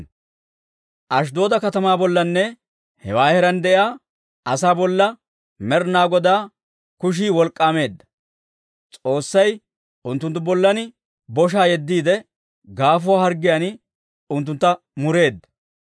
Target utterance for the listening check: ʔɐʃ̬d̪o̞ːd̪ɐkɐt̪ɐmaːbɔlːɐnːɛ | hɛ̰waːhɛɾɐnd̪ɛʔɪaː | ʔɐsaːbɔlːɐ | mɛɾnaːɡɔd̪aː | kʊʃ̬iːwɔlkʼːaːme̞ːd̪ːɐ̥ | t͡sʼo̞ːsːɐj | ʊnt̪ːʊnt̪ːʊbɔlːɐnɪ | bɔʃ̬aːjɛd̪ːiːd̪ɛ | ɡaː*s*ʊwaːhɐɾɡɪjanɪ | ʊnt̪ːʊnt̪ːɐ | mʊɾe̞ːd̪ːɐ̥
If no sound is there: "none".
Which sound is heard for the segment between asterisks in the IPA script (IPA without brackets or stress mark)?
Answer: f